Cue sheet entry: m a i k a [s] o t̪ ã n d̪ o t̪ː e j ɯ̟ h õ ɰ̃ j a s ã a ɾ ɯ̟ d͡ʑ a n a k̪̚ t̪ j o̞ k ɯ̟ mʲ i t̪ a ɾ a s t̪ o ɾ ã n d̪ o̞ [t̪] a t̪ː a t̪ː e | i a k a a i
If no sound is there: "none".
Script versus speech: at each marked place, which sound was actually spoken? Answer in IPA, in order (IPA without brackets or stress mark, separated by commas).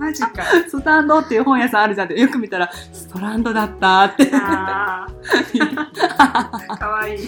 s, d̪